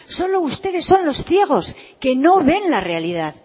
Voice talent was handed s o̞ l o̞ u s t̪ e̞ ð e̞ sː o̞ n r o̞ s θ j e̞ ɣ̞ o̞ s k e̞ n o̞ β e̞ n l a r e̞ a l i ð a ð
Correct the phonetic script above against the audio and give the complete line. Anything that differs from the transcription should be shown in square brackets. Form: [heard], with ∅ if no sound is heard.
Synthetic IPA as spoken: s o̞ l o̞ u s t̪ e̞ ð e̞ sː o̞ n [l] o̞ s θ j e̞ ɣ̞ o̞ s k e̞ n o̞ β e̞ n l a r e̞ a l i ð a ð